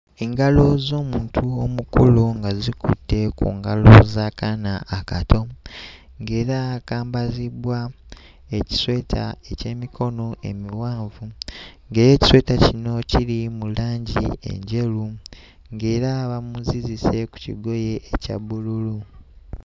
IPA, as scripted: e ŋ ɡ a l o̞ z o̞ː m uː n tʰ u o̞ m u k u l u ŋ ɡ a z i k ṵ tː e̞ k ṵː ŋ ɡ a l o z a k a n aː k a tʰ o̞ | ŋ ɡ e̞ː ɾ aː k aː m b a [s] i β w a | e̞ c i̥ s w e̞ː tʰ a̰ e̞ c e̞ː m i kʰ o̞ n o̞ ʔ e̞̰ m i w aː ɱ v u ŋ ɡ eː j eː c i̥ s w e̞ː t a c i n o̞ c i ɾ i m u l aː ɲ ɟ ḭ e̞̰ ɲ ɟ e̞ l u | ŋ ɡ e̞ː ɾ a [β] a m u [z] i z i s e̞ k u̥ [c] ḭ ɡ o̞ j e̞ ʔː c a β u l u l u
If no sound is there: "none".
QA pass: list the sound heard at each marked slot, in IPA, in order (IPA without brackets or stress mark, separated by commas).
z, β, z, c